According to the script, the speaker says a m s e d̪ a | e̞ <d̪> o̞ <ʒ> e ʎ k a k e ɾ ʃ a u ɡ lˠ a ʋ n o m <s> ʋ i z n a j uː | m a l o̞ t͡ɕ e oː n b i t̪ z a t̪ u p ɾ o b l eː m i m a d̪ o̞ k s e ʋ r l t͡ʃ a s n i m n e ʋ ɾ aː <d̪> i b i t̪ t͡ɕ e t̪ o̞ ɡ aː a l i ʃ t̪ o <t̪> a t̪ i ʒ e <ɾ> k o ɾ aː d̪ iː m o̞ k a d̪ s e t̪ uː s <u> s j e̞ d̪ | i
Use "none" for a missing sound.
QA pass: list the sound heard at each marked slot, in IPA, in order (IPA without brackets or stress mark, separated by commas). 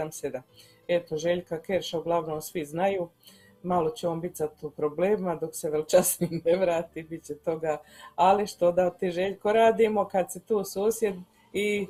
t̪, ʒ, s, t̪, d̪, ʎ, uː